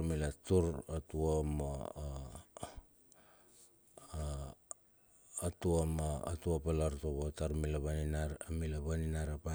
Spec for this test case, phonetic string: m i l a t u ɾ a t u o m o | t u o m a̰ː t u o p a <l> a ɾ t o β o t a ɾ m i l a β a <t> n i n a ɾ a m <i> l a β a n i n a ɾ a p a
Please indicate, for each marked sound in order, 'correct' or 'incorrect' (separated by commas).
correct, incorrect, correct